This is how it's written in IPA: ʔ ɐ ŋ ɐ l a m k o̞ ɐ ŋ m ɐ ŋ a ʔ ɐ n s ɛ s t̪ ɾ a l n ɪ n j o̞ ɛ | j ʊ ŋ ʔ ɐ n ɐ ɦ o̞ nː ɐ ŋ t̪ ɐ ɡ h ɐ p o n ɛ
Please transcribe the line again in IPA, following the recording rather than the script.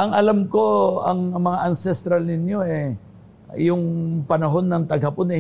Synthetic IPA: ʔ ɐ ŋ ɐ l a m k o̞ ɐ ŋ m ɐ ŋ a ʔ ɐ n s ɛ s t̪ ɾ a l n ɪ n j o̞ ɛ | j ʊ ŋ p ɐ n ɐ ɦ o̞ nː ɐ ŋ t̪ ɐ ɡ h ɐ p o n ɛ